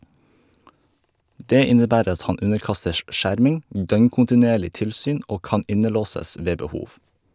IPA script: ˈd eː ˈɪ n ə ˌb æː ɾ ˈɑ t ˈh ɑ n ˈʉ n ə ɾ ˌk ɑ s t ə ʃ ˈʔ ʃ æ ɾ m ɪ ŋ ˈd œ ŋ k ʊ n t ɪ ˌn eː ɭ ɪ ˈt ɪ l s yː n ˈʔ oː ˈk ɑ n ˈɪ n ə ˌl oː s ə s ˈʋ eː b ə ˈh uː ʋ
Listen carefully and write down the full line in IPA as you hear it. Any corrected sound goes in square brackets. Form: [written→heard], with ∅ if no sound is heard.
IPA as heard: ˈd eː ˈɪ n ə ˌb æː ɾ ˈɑ t ˈh ɑ n ˈʉ n ə ɾ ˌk ɑ s t ə ʃ ˈʔ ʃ æ ɾ m ɪ ŋ ˈd œ ŋ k ʊ n t ɪ ˌn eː ɭ ɪ ˈt ɪ l s yː n ˈʔ oː ˈk ɑ n ˈɪ n ə ˌl oː s ə s ˈʋ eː b ə ˈh uː ʋ